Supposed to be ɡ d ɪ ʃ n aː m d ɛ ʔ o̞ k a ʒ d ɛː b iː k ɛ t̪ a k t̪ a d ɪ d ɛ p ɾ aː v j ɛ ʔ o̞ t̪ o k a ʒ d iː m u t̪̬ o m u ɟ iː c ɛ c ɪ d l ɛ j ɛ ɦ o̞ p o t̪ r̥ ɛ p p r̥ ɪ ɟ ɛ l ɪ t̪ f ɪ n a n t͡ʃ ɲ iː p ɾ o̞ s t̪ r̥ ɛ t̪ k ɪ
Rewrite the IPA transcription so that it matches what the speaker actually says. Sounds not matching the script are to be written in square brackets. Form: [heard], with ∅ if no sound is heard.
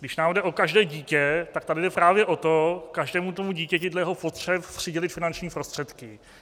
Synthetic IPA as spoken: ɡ d ɪ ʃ n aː m d ɛ ʔ o̞ k a ʒ d ɛː [ɟ] iː [c] ɛ t̪ a k t̪ a d ɪ d ɛ p ɾ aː v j ɛ ʔ o̞ t̪ o k a ʒ d [ɛː] m u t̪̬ o m u ɟ iː c ɛ c ɪ d l ɛ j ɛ ɦ o̞ p o t̪ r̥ ɛ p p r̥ ɪ ɟ ɛ l ɪ t̪ f ɪ n a n t͡ʃ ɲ iː p ɾ o̞ s t̪ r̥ ɛ t̪ k ɪ